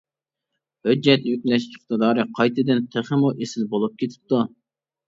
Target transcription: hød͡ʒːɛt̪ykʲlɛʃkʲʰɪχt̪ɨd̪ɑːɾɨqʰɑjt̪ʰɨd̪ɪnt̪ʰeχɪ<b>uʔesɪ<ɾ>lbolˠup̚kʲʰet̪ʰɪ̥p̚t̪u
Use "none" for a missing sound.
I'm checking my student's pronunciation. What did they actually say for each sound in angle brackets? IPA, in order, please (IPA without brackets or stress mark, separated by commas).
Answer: m, none